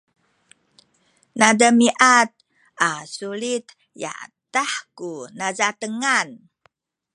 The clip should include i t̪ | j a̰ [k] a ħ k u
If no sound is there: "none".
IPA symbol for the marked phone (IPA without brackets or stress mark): t